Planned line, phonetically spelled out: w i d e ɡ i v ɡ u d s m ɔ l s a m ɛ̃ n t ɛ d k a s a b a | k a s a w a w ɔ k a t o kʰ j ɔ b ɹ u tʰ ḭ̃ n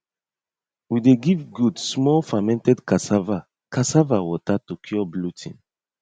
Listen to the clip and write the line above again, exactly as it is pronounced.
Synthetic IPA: w i d e ɡ i v ɡ u d s m ɔ l f a m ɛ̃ n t ɛ d k a s a v a | k a s a v a w ɔ t a t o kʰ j ɔ b l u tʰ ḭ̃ n